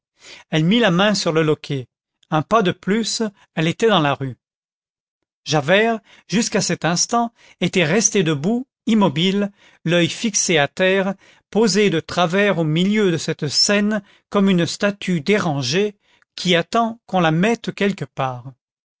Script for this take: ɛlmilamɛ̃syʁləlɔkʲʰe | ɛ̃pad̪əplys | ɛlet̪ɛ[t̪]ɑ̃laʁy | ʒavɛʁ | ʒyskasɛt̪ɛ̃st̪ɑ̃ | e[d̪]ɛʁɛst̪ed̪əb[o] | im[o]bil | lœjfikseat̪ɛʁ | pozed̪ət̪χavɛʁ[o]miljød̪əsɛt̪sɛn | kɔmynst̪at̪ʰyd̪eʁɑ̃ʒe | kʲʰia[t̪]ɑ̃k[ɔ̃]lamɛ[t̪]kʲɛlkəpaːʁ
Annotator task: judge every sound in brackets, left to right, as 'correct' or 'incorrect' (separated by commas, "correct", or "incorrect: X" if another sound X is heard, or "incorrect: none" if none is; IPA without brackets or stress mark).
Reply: incorrect: d̪, incorrect: t̪, incorrect: u, incorrect: ɔ, correct, correct, correct, correct